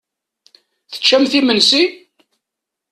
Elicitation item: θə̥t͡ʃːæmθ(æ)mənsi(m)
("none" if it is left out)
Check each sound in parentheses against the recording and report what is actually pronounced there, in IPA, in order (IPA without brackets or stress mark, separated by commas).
i, none